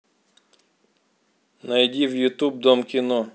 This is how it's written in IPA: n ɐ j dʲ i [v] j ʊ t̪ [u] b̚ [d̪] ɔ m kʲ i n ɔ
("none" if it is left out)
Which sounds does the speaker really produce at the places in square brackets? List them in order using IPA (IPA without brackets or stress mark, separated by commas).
w, u, d̪